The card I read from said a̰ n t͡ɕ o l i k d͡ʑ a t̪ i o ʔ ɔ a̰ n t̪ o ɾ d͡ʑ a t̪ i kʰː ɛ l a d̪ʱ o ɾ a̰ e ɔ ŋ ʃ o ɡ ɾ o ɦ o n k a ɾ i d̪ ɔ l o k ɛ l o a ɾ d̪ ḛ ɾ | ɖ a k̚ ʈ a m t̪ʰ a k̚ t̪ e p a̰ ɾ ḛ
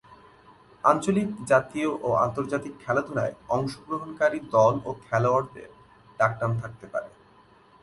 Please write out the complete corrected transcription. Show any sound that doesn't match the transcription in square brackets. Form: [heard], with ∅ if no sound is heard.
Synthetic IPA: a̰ n t͡ɕ o l i k d͡ʑ a t̪ i o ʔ [o] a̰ n t̪ o ɾ d͡ʑ a t̪ i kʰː ɛ l a d̪ʱ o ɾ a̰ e ɔ ŋ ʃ o ɡ ɾ o ɦ o n k a ɾ i d̪ ɔ l o [kʰ] ɛ l o a ɾ d̪ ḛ ɾ | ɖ a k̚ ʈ a m t̪ʰ a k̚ t̪ e p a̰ ɾ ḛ